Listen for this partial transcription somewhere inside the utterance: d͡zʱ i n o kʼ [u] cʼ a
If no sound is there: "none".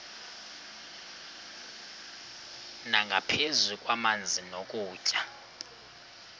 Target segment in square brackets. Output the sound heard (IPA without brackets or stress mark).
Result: uː